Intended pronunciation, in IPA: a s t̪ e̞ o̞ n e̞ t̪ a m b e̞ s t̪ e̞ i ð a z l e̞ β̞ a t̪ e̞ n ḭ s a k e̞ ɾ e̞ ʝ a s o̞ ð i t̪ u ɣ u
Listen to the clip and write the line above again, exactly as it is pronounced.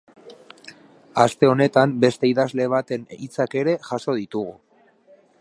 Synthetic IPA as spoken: a s t̪ e̞ o̞ n e̞ t̪ a m b e̞ s t̪ e̞ i ð a z l e̞ β̞ a t̪ e̞ n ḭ t͡s a k e̞ ɾ e̞ ʝ a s o̞ ð i t̪ u ɣ u